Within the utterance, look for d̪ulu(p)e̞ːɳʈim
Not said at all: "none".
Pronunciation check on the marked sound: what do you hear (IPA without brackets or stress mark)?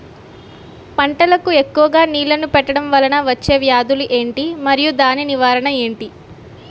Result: ʔ